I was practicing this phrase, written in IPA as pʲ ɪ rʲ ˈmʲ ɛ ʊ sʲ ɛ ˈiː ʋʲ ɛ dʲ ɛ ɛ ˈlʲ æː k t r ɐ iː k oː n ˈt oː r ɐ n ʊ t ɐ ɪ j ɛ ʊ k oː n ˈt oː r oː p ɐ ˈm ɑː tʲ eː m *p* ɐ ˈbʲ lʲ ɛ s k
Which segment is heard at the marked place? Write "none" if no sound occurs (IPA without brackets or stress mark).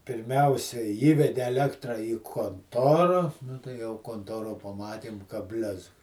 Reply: k